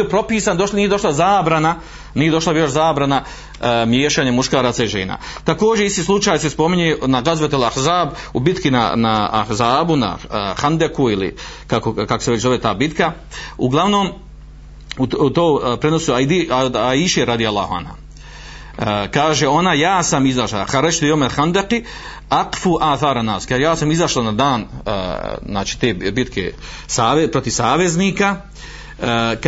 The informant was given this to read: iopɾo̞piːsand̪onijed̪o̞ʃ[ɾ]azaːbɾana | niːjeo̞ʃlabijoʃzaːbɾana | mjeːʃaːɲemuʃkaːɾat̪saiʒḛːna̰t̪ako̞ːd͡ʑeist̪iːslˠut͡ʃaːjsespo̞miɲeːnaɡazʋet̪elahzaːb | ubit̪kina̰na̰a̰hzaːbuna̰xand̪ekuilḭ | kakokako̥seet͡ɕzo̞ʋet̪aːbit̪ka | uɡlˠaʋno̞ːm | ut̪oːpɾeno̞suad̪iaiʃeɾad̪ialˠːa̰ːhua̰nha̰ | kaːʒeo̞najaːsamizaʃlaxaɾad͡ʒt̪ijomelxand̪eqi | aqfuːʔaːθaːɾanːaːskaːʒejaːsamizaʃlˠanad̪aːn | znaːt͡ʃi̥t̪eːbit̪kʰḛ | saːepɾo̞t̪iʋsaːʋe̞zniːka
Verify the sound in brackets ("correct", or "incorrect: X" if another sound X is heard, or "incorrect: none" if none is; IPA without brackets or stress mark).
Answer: incorrect: l